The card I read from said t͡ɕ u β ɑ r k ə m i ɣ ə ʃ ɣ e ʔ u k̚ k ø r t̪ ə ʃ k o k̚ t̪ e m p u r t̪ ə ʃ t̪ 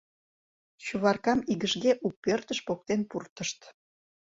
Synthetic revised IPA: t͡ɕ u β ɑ r k ɑ m i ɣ ə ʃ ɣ e ʔ u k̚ p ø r t̪ ə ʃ p o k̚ t̪ e n p u r t̪ ə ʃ t̪